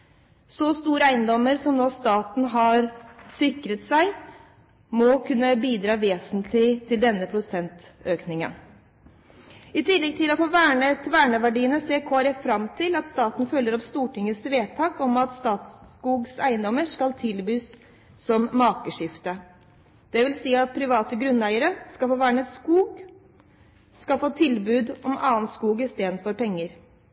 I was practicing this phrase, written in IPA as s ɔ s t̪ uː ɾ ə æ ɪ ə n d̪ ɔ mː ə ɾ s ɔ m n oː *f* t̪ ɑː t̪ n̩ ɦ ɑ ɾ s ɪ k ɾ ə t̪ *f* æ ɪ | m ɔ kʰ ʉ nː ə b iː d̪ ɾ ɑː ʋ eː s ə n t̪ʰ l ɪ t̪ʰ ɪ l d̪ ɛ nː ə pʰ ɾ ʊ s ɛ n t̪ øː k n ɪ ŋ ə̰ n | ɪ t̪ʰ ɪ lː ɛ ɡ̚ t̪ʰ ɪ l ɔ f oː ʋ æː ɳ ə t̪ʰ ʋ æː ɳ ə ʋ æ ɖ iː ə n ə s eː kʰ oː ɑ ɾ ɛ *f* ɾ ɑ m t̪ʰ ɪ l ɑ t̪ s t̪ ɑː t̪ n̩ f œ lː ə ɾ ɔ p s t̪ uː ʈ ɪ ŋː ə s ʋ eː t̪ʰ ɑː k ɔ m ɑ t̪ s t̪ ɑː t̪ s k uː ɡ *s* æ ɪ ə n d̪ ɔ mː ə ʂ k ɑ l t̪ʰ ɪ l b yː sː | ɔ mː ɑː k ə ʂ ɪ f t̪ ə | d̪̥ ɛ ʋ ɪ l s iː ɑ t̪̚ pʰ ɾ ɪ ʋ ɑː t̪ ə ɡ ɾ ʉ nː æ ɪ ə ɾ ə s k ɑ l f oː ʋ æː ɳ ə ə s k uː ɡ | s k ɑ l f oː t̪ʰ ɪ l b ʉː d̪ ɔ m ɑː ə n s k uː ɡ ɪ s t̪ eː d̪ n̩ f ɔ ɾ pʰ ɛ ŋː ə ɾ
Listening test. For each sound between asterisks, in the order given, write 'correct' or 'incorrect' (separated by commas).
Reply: incorrect, incorrect, correct, correct